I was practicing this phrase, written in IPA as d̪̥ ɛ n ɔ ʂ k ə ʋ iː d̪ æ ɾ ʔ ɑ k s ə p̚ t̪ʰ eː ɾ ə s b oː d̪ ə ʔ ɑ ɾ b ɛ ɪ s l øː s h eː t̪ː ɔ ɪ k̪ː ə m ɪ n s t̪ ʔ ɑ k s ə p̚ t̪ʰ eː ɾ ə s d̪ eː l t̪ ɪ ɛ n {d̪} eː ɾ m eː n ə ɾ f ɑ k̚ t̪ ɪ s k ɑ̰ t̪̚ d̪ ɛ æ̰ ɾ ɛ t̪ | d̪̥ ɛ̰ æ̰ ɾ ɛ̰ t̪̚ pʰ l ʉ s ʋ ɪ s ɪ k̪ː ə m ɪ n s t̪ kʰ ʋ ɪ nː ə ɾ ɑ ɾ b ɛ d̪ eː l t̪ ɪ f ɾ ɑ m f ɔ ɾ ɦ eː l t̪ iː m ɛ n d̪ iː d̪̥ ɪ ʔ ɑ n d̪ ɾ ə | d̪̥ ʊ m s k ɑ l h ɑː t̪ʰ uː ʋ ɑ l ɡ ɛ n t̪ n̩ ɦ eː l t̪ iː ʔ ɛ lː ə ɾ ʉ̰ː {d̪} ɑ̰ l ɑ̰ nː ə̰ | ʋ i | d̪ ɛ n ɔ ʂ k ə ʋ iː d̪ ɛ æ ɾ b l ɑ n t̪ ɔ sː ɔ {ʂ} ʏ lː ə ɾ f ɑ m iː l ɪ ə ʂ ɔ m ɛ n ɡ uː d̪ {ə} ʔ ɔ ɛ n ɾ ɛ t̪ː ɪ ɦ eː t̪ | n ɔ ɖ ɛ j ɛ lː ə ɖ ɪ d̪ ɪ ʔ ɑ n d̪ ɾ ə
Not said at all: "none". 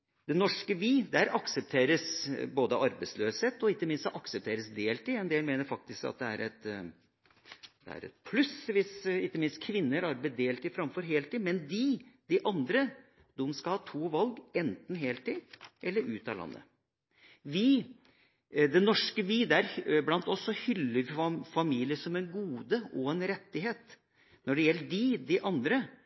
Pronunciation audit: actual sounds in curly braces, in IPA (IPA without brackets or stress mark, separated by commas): d̪, t̪, h, ə